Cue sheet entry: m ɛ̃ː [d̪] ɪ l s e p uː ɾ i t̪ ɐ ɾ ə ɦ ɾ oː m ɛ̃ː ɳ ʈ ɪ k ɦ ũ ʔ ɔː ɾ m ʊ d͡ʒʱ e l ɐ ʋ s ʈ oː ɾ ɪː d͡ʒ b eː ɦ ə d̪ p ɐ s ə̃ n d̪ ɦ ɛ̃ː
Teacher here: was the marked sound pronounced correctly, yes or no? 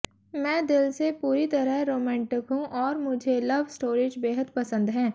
yes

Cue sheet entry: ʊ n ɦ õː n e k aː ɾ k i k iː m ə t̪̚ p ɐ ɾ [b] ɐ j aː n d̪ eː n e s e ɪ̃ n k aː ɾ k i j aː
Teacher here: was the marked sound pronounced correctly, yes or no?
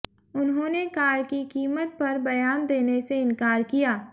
yes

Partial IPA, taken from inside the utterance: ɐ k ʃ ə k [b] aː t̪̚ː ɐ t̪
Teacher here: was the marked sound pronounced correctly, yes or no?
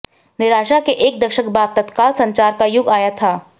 yes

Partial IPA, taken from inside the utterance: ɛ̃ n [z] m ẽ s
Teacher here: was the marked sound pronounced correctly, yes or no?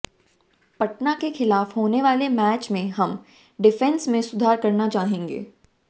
no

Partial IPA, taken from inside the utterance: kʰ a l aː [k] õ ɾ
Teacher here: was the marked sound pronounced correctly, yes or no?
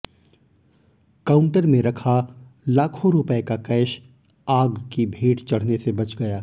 no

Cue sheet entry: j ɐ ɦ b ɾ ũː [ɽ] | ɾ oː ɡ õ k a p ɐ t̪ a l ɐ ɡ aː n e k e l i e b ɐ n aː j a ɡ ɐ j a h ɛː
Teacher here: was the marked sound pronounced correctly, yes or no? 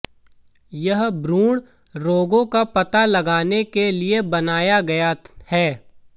yes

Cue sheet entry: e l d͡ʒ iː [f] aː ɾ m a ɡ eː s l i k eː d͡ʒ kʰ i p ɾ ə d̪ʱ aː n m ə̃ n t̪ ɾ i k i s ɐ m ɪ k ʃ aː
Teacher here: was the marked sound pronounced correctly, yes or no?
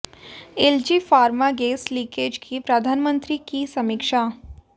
yes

